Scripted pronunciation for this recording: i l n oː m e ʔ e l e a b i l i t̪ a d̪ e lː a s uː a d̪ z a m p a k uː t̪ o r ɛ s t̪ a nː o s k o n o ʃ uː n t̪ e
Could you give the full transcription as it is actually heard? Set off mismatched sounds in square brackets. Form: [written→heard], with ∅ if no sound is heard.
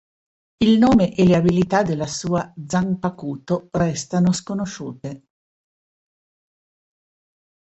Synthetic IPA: i l n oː m e ʔ e l e a b i l i t̪ a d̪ e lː a s uː a d̪ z a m p a k uː t̪ o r ɛ s t̪ a [nː→n] o s k o n o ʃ uː [n→∅] t̪ e

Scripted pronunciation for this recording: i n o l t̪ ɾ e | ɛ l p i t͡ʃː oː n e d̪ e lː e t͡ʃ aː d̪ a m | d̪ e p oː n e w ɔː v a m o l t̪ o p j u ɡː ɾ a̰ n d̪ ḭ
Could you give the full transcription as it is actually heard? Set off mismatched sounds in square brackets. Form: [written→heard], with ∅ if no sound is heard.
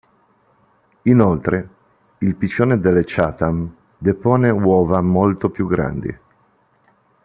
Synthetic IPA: i n o l t̪ ɾ e | [ɛ→i] l p i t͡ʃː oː n e d̪ e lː e t͡ʃ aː [d̪→t̪] a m | d̪ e p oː n e w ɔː v a m o l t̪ o p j u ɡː ɾ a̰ n d̪ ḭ

